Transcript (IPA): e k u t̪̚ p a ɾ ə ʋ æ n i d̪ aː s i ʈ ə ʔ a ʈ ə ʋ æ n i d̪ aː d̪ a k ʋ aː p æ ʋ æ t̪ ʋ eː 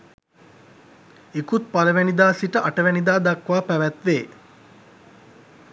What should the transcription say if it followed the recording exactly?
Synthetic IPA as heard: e k u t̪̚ p a l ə ʋ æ n i d̪ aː s i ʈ ə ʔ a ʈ ə ʋ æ n i d̪ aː d̪ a k ʋ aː p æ ʋ æ t̪ ʋ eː